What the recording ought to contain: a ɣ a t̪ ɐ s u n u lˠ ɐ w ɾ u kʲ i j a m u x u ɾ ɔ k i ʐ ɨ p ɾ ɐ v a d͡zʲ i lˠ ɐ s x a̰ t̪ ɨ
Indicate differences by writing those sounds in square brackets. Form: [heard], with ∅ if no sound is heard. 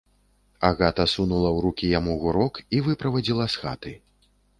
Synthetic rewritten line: a ɣ a t̪ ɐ s u n u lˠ ɐ w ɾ u kʲ i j a m u [ɣ] u ɾ ɔ k i [v] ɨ p ɾ ɐ v a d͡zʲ i lˠ ɐ s x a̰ t̪ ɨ